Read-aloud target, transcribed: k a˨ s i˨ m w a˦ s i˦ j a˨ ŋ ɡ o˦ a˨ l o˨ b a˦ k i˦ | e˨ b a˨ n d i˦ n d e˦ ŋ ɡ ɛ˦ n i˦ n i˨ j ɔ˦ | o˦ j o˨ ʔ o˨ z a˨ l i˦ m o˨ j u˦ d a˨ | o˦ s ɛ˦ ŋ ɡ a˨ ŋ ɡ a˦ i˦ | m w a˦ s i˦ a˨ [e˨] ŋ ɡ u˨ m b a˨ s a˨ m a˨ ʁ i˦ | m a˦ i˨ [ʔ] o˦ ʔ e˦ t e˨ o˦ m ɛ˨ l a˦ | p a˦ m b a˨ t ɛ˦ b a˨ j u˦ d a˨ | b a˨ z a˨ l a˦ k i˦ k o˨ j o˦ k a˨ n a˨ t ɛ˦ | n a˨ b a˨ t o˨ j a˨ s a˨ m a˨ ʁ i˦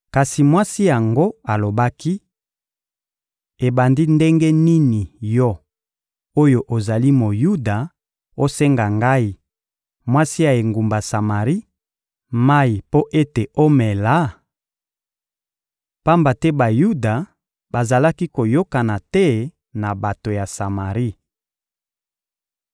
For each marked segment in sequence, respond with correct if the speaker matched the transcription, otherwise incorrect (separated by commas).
correct, incorrect